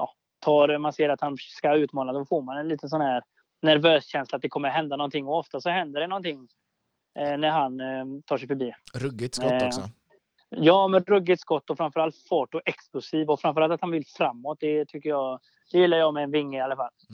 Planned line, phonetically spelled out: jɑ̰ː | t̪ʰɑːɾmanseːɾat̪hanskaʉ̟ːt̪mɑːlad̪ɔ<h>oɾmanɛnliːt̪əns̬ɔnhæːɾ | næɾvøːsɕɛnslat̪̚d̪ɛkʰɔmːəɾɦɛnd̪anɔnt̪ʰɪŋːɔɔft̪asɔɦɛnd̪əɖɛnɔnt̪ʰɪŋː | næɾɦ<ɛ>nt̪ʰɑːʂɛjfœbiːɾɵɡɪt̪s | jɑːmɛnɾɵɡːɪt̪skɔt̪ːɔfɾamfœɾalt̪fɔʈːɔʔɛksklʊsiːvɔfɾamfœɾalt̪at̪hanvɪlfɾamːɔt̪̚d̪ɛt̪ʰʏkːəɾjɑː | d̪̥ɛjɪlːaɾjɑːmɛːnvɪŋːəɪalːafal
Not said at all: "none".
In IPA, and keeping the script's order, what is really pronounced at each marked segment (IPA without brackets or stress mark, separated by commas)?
f, a